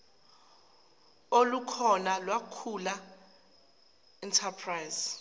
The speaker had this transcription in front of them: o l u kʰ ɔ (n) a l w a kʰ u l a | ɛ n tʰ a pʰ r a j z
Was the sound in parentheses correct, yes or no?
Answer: yes